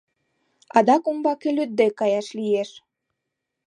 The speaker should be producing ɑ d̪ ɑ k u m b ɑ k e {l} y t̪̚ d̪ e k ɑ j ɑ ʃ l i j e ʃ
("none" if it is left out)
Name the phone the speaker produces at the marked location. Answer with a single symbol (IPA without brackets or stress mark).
l